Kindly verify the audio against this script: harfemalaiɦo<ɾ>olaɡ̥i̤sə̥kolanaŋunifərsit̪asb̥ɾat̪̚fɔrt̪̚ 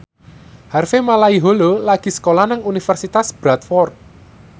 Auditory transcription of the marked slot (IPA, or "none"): l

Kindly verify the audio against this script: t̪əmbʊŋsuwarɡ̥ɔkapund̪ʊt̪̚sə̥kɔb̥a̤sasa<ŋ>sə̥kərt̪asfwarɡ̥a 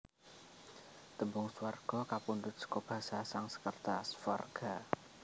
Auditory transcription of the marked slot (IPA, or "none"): ŋ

